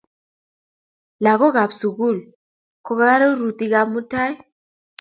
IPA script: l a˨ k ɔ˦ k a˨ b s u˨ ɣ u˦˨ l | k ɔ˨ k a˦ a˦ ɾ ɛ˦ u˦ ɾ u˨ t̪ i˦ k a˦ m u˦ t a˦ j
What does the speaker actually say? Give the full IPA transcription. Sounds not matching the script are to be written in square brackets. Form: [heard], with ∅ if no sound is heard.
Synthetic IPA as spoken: l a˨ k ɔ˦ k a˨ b s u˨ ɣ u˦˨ l | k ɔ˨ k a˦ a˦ ɾ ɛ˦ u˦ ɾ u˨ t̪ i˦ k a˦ m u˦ t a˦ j

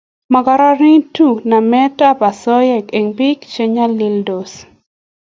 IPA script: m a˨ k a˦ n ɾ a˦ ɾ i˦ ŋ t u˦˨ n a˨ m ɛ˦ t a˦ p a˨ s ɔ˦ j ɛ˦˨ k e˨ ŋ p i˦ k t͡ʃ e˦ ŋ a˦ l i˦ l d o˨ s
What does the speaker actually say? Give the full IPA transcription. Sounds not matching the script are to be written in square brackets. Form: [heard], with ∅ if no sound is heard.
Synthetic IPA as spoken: m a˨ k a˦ [∅] ɾ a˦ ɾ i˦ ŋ t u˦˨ n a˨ m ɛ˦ t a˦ p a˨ s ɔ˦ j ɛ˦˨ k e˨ ŋ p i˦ k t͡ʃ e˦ [ɲ] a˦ l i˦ l d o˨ s

